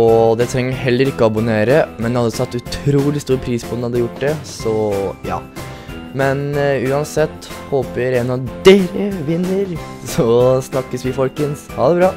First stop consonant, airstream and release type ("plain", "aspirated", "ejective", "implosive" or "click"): plain